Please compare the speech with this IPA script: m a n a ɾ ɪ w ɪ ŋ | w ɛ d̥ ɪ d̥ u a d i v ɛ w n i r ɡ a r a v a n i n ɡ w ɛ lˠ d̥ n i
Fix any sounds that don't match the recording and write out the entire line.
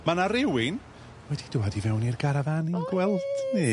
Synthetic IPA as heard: m a n a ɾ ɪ w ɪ n | w ɛ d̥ i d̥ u a d i v ɛ w n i r ɡ a ɾ a v a n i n ɡ w ɛ lˠ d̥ n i